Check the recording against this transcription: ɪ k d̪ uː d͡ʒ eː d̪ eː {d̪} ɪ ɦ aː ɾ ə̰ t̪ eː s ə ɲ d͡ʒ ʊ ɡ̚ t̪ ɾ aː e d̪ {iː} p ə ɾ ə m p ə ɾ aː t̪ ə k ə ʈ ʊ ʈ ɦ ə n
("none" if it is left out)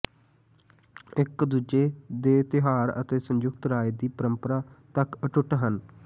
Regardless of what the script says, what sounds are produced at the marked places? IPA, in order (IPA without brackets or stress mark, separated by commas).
t̪, iː